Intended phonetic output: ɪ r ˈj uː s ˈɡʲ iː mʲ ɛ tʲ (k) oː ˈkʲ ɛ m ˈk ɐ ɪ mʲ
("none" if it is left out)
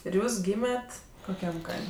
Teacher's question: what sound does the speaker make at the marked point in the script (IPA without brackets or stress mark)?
k